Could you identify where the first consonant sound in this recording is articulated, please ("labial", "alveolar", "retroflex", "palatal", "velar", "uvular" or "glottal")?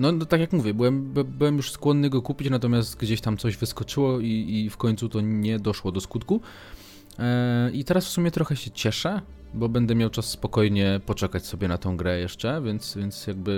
alveolar